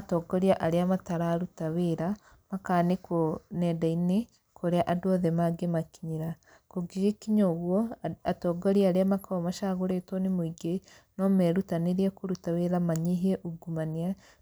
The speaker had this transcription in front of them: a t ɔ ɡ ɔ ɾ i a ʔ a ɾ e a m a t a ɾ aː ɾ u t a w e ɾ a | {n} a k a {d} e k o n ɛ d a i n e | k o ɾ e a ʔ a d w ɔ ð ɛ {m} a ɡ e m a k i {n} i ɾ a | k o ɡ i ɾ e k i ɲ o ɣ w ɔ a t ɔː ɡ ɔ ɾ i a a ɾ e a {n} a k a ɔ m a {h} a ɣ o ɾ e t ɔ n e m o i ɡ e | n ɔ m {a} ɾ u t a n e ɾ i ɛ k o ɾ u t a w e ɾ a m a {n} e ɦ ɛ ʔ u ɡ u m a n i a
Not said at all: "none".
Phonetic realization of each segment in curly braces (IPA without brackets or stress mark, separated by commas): m, n, m, ɲ, m, ʃ, ɛ, ɲ